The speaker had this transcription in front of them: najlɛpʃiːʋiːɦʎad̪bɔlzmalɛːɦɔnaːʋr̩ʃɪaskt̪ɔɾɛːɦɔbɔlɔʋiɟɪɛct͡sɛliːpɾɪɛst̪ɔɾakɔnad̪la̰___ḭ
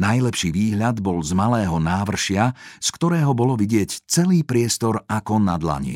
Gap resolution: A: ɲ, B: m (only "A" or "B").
A